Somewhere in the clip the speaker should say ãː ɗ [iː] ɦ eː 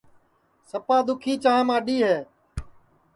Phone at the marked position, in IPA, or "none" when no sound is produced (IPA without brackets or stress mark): iː